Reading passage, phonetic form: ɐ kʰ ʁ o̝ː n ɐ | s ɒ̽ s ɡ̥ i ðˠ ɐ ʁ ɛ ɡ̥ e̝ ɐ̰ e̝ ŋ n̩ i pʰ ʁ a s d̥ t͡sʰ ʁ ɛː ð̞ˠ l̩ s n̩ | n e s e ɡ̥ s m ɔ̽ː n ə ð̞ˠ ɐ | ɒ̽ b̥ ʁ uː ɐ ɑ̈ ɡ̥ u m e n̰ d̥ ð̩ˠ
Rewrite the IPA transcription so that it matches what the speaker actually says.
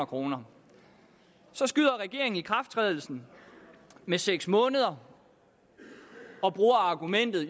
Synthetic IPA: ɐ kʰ ʁ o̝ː n ɐ | s ɒ̽ s ɡ̥ y ðˠ ɐ ʁ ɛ ɡ̥ e̝ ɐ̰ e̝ ŋ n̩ i kʰ ʁ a f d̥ t͡sʰ ʁ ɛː ð̞ˠ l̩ s n̩ | m e s e ɡ̥ s m ɔ̽ː n ə ð̞ˠ ɐ | ɒ̽ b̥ ʁ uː ɐ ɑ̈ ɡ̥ u m e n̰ d̥ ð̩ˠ